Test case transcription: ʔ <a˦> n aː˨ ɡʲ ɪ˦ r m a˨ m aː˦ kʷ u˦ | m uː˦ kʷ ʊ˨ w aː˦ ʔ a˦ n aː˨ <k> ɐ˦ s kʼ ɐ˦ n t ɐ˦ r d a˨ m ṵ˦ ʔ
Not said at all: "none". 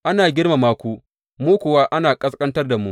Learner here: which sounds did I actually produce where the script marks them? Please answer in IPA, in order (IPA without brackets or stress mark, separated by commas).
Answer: a˦, kʼ